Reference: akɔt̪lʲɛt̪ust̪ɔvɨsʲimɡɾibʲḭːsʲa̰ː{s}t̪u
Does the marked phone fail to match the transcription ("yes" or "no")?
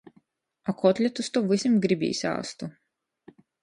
no